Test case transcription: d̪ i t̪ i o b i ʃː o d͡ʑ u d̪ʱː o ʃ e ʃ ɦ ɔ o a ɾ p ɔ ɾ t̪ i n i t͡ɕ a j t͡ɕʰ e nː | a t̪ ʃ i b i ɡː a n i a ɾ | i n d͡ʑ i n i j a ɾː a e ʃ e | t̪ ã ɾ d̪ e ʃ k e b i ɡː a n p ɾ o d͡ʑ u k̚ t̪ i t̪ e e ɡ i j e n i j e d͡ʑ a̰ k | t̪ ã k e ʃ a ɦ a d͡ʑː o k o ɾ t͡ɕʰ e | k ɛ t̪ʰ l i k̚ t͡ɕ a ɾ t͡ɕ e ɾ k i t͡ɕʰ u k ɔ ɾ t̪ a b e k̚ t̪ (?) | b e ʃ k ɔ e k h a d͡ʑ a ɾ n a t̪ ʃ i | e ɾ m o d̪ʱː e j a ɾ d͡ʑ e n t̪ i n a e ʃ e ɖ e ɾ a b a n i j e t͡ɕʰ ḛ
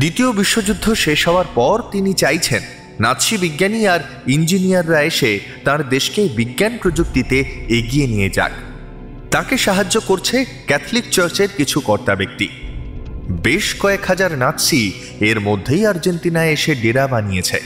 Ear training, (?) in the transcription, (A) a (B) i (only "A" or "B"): B